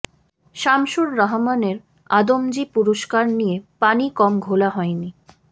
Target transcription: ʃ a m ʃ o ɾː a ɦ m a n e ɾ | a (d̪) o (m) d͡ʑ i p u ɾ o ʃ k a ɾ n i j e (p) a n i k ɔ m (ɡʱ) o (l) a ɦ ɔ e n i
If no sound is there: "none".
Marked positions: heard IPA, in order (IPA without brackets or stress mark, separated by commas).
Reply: d̪, m, p, ɡʱ, l